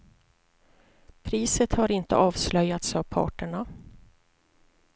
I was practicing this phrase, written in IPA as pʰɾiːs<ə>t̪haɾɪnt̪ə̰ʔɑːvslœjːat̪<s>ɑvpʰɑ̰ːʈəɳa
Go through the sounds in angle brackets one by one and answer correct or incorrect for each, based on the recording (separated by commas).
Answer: correct, correct